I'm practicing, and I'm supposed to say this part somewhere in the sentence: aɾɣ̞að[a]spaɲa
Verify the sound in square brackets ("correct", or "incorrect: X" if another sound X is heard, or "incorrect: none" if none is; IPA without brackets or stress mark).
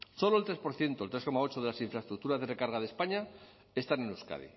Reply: incorrect: e